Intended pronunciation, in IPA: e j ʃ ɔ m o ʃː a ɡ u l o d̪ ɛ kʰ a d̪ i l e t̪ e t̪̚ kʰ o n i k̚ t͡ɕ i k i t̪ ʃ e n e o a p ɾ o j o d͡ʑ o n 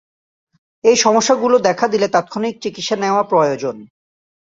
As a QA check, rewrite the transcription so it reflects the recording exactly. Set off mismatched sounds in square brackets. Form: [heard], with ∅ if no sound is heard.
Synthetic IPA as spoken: e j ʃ ɔ m o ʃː a ɡ u l o d̪ ɛ kʰ a d̪ i l e t̪ [a] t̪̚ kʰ o n i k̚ t͡ɕ i k i t̪ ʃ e n e o a p ɾ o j o d͡ʑ o n